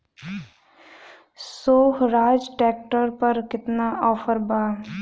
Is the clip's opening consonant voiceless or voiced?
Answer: voiceless